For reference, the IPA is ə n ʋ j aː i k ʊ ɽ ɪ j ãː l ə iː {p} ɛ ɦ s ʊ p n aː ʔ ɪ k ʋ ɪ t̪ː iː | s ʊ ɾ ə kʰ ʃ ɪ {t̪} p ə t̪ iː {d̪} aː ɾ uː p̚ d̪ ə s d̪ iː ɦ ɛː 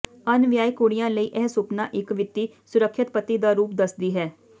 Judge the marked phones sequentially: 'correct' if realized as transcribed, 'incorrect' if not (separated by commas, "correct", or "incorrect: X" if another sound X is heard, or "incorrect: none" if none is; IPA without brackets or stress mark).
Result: incorrect: ʔ, correct, correct